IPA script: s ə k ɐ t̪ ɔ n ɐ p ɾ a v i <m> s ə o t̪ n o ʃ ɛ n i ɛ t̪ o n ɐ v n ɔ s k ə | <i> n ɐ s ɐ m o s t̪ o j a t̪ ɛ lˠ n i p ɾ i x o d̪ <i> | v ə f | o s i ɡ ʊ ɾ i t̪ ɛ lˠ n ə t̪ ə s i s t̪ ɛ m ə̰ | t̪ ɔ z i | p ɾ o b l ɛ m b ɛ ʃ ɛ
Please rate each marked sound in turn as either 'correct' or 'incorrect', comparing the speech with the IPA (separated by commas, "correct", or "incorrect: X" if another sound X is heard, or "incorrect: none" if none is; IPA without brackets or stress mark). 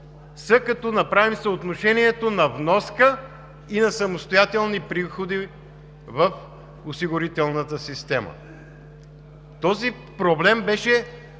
correct, correct, correct